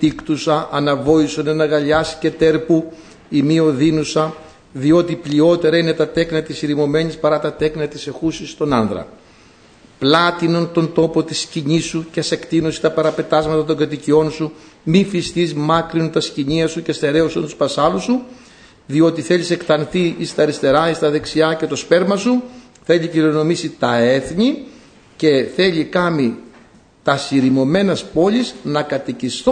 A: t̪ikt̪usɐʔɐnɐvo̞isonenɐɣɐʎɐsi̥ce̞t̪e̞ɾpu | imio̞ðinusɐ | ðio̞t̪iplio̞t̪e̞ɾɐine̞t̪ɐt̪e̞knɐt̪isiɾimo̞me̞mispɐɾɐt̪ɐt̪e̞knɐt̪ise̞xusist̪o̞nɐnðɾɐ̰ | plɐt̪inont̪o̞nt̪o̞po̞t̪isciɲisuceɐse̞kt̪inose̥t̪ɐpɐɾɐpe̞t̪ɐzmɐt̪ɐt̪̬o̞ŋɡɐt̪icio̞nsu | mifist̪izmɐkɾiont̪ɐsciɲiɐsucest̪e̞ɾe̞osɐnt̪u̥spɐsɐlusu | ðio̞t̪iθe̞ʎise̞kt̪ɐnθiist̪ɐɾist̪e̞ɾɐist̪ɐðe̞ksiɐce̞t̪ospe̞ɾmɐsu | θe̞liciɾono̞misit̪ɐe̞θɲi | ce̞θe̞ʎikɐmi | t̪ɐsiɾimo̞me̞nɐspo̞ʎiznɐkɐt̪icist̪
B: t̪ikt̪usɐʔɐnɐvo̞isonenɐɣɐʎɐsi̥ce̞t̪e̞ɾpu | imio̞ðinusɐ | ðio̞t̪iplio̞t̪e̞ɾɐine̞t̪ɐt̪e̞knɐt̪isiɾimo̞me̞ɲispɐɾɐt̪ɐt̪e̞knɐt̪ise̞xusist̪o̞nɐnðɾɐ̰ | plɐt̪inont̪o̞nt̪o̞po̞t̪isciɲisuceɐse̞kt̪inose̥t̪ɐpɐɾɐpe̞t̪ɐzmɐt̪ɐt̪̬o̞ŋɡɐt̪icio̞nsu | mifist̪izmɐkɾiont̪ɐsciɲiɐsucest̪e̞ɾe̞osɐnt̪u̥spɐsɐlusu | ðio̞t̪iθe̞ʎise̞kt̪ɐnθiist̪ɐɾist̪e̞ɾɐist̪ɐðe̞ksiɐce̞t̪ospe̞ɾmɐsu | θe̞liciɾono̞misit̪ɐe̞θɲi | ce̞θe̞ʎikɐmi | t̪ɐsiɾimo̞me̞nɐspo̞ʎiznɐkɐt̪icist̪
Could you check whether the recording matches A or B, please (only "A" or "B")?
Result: B